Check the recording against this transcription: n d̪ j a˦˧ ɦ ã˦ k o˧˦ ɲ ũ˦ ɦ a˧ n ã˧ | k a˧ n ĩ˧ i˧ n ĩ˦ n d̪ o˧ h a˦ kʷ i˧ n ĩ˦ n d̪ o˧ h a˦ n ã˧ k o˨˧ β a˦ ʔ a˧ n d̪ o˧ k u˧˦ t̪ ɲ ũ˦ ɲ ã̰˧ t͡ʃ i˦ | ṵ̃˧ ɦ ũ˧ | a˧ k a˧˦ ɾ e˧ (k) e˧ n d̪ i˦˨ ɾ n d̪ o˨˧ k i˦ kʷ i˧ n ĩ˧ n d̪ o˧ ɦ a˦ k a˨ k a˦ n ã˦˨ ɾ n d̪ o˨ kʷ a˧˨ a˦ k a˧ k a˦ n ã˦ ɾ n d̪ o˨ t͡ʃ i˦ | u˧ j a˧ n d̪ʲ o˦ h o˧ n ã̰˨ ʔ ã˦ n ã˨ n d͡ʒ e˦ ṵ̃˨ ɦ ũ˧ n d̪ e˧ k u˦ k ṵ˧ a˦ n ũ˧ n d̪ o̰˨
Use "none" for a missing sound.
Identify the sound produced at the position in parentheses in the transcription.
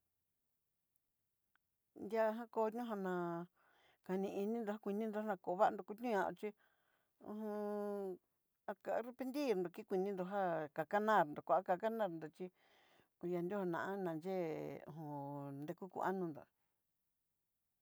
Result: p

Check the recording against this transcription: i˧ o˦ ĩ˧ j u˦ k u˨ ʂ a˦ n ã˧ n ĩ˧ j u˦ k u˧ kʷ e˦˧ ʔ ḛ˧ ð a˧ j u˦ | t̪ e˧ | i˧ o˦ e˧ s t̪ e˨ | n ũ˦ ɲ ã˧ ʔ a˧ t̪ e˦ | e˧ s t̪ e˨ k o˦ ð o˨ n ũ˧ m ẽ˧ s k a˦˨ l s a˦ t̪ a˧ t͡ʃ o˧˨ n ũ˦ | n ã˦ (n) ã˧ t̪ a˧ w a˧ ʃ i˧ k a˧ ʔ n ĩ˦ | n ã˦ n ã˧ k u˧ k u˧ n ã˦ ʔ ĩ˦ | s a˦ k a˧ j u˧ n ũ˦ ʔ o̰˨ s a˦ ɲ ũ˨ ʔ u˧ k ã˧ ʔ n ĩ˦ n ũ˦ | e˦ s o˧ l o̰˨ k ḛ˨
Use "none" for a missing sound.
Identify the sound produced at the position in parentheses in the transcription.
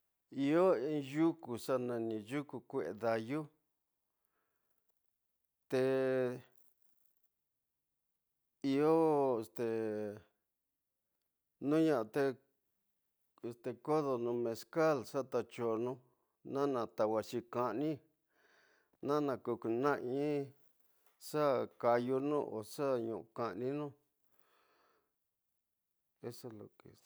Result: n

